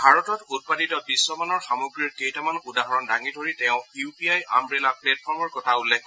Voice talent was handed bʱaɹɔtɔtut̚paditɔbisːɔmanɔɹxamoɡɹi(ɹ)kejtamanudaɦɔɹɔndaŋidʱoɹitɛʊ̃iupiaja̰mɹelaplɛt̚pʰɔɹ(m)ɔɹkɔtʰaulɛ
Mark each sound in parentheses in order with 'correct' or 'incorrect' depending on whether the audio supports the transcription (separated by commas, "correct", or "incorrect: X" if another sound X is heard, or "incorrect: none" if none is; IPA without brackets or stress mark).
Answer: correct, correct